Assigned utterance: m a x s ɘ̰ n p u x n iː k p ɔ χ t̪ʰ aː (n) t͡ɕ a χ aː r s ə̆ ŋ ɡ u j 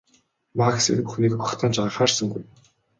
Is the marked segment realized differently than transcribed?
no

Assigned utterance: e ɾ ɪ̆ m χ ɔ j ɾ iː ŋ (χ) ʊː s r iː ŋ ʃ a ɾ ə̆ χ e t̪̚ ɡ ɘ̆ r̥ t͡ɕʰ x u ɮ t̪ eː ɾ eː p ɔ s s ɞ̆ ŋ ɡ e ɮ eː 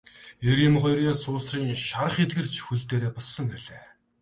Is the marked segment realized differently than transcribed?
yes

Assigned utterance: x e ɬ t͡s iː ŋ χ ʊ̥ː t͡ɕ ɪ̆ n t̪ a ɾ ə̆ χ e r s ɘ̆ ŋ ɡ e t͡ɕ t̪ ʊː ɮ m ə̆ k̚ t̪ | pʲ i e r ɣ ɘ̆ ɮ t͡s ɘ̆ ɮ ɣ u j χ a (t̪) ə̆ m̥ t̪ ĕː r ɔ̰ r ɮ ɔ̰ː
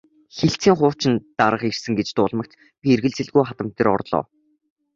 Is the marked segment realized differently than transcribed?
no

